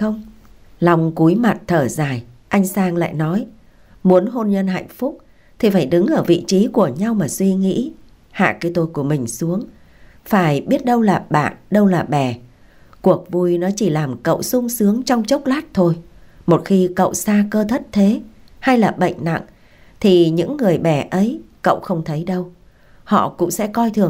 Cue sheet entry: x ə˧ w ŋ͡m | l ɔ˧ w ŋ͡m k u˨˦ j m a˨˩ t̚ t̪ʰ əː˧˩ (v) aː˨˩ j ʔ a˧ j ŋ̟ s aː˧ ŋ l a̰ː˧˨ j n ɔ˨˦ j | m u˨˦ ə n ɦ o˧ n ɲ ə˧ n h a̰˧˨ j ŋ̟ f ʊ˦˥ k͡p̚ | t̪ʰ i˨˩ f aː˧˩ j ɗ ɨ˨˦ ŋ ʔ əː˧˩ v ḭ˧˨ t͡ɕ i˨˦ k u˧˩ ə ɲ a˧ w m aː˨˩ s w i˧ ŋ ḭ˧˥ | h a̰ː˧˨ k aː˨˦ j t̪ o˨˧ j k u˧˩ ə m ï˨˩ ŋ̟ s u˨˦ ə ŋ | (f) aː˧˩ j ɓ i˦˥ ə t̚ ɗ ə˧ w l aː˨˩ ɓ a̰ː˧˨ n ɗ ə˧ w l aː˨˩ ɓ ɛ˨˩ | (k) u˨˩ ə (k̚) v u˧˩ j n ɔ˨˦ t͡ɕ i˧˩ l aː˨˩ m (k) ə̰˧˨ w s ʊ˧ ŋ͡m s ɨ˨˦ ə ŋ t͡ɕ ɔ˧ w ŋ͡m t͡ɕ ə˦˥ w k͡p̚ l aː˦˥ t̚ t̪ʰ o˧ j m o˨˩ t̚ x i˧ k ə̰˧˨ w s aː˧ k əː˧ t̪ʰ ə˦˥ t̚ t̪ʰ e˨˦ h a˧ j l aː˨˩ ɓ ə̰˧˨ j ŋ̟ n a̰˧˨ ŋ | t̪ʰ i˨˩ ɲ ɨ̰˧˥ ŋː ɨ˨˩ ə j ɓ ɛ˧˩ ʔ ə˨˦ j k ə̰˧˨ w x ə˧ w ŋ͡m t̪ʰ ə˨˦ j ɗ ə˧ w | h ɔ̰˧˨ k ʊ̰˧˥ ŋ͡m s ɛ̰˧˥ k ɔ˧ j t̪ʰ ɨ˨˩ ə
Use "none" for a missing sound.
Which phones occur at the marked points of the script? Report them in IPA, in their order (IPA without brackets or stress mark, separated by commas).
z, f, k, k̚, k